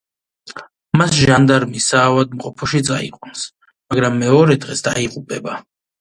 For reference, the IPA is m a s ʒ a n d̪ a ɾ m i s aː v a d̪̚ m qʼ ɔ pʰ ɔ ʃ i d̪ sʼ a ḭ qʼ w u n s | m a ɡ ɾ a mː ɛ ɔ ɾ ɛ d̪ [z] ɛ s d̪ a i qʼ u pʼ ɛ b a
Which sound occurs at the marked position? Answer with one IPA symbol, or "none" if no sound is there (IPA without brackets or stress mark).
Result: ʁ